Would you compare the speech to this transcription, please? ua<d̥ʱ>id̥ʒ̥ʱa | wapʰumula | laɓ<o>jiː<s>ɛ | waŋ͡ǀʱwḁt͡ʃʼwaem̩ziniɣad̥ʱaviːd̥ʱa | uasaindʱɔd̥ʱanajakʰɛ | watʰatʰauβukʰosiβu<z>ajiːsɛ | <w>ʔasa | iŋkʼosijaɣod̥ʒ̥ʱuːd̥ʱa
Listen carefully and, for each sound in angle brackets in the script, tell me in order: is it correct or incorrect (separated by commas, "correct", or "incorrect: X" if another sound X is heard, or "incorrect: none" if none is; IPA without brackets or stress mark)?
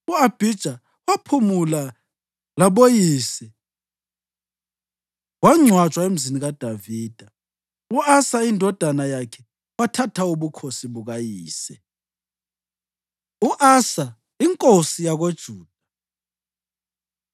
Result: incorrect: b̥ʱ, correct, correct, incorrect: ɣ, incorrect: u